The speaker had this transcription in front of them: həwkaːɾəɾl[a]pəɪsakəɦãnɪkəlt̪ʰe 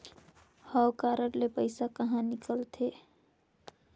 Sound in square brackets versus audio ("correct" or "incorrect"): incorrect